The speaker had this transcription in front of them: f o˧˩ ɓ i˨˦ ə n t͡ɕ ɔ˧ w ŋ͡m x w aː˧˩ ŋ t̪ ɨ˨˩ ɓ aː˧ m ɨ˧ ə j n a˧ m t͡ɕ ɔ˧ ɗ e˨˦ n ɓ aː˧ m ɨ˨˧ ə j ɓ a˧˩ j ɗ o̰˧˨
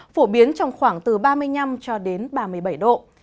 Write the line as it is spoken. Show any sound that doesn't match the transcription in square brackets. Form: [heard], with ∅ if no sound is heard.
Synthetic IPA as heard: f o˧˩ ɓ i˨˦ ə n t͡ɕ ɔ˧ w ŋ͡m x w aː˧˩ ŋ t̪ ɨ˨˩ ɓ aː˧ m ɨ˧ ə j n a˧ m t͡ɕ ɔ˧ ɗ e˨˦ n ɓ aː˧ m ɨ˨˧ ə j ɓ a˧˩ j ɗ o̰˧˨

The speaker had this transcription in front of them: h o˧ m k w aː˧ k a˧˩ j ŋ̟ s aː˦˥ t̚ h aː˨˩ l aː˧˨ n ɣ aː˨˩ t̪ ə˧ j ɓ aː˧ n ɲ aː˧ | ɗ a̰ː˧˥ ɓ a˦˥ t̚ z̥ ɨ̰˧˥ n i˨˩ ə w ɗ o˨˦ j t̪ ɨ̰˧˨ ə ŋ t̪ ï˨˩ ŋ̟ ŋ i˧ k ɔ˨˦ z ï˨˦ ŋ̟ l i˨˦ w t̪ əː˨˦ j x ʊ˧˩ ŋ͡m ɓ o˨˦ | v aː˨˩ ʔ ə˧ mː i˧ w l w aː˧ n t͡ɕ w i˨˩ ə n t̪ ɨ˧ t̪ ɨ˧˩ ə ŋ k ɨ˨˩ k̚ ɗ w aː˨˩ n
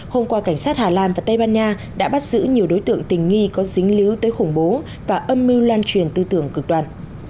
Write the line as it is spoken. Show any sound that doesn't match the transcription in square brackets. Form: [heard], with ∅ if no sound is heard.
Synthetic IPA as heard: h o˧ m k w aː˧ k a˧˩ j ŋ̟ s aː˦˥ t̚ h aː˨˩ l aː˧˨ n [v] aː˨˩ t̪ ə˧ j ɓ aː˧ n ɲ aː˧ | ɗ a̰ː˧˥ ɓ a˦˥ t̚ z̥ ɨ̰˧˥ [ɲ] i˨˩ ə w ɗ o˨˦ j t̪ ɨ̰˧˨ ə ŋ t̪ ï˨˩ ŋ̟ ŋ i˧ k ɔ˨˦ z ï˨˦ ŋ̟ l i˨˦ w t̪ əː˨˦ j x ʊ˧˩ ŋ͡m ɓ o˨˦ | v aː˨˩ ʔ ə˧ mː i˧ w l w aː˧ n t͡ɕ w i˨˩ ə n t̪ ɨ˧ t̪ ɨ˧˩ ə ŋ k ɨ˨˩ k̚ ɗ w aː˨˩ n

